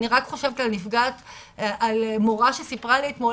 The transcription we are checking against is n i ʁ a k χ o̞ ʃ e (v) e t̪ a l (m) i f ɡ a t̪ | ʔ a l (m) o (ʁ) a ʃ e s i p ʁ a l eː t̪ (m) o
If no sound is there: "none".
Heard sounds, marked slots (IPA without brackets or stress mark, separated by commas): v, n, m, ʁ, m